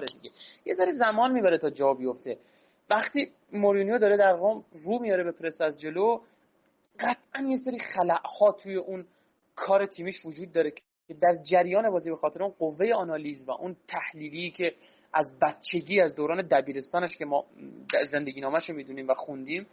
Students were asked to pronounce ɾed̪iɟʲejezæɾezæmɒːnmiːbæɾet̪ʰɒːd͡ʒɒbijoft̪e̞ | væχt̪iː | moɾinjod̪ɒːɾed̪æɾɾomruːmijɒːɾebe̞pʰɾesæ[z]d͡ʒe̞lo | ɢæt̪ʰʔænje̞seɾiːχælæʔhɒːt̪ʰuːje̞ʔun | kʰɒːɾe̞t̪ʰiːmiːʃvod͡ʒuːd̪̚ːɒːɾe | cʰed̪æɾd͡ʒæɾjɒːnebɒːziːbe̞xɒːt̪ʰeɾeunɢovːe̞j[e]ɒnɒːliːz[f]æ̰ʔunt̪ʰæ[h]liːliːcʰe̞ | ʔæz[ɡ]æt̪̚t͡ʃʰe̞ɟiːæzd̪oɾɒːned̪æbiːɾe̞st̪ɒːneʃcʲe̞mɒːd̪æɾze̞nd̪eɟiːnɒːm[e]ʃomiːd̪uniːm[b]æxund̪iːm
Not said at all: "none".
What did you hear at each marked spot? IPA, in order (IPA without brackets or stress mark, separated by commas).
z, e, v, h, b, æ, v